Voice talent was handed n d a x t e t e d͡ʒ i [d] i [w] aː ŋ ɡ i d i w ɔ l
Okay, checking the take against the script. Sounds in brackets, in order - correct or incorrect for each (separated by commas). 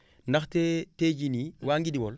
incorrect, correct